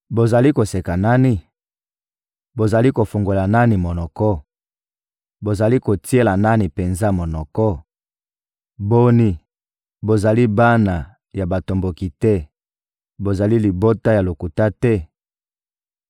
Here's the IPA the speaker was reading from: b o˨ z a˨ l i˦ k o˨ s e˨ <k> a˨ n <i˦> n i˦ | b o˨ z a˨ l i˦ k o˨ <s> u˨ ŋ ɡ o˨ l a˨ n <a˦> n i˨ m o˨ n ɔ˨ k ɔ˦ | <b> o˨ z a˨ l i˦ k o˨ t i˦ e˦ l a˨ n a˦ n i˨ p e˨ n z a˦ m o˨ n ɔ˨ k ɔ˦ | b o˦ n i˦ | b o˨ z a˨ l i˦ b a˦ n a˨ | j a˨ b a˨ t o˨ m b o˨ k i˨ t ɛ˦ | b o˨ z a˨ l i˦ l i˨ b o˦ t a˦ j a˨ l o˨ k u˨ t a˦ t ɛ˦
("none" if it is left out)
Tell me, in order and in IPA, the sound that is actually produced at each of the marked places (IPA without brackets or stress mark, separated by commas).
k, a˦, f, a˦, b